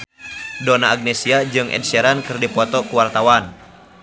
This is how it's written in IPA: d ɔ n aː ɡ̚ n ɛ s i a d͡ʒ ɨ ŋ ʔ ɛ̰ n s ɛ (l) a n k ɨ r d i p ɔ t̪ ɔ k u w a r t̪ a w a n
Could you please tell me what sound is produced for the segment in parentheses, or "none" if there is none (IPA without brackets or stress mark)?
ɾ